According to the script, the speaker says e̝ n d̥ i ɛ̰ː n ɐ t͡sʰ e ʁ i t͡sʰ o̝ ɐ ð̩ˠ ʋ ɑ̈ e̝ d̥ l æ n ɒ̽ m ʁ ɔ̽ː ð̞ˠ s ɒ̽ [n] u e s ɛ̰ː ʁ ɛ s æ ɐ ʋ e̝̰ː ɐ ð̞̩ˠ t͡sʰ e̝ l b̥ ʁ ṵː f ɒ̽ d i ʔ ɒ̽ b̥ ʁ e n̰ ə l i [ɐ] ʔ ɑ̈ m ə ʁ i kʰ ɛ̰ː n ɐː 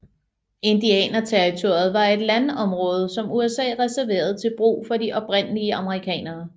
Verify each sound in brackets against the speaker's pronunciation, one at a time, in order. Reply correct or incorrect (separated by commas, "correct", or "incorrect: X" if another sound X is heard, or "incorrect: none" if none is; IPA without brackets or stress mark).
incorrect: m, incorrect: ə